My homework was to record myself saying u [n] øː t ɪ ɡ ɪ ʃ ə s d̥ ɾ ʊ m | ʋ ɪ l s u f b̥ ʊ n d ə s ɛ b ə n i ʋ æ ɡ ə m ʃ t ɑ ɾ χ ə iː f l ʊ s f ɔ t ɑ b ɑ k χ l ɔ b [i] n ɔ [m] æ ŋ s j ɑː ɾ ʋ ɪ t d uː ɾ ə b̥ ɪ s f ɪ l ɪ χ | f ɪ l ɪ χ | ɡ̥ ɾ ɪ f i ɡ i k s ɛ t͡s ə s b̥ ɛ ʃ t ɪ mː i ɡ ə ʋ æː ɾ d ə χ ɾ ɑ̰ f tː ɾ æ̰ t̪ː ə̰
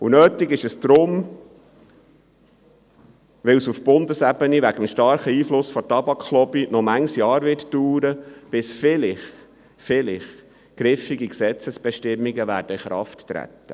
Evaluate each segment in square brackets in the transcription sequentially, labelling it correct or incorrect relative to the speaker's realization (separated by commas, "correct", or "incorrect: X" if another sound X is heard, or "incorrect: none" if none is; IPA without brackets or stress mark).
correct, correct, correct